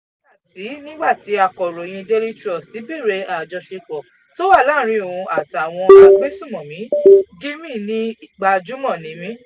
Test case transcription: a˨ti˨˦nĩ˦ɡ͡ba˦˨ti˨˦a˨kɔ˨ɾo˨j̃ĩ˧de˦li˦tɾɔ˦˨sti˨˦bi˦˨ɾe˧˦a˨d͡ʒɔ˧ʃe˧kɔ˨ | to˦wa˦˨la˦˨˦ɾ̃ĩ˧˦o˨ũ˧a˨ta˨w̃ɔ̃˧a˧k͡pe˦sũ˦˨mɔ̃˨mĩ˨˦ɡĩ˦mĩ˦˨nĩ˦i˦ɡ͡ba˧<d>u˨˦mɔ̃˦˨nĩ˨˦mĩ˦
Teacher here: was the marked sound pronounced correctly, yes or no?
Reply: no